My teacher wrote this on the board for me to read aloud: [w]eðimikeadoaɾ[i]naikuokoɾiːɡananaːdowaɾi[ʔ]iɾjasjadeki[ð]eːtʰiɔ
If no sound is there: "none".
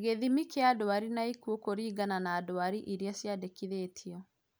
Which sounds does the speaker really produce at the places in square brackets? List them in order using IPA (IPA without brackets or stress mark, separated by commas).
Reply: ɣ, i, ʔ, ð